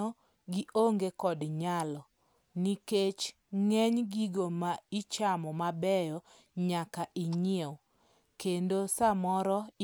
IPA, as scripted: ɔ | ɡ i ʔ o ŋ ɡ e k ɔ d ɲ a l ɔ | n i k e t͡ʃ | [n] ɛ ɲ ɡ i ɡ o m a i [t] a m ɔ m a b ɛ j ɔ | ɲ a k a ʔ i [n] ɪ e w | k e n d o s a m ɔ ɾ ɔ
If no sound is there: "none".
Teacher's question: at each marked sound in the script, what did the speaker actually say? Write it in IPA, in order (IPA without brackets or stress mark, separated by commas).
ŋ, t͡ʃ, ɲ